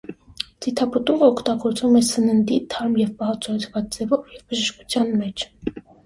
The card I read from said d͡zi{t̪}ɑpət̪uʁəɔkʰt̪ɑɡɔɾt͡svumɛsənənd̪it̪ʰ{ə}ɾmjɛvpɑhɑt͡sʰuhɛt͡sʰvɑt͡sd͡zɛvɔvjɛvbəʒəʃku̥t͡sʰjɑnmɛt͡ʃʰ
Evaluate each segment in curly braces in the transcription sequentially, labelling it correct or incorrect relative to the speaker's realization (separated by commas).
incorrect, incorrect